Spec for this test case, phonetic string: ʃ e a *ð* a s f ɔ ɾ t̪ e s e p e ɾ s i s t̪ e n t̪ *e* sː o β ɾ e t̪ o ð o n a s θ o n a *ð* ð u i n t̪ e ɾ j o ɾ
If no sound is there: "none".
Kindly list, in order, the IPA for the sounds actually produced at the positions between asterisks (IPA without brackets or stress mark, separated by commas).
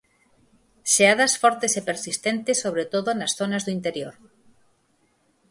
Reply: ð, e, z